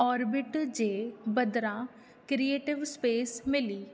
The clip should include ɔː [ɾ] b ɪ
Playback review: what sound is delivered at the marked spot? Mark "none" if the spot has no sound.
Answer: ɾ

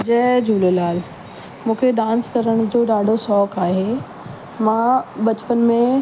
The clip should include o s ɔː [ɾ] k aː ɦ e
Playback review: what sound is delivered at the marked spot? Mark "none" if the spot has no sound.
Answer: none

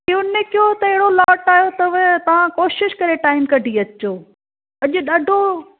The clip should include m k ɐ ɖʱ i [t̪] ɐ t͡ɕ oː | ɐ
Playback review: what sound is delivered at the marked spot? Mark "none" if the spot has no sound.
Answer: none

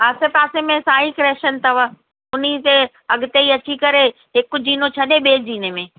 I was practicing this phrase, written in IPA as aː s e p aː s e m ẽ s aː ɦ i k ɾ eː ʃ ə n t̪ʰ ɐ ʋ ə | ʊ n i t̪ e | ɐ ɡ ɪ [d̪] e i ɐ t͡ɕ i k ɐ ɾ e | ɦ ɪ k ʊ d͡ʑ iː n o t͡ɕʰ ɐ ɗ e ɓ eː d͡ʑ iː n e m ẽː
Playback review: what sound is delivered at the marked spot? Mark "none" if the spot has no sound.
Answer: t̪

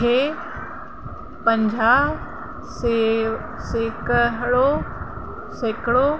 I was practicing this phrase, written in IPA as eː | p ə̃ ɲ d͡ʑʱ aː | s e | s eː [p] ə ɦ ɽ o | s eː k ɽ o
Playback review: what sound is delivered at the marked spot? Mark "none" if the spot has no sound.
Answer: k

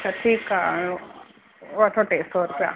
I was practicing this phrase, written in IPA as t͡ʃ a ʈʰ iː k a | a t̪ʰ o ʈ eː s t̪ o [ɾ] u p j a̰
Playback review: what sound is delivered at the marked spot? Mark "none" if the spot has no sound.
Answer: ɾ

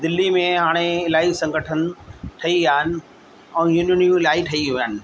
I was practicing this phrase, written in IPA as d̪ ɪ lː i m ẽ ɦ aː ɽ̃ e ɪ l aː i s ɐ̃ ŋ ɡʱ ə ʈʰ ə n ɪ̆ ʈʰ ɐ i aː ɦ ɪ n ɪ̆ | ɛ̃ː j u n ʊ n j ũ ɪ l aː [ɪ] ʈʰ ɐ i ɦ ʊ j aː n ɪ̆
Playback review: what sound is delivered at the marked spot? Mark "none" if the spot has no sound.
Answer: i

